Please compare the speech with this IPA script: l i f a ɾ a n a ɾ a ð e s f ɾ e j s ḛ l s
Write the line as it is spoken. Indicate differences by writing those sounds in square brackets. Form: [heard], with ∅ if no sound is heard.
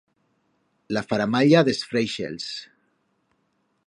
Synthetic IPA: l [a] f a ɾ a [m] a [ʎ] a ð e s f ɾ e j [ʃ] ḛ l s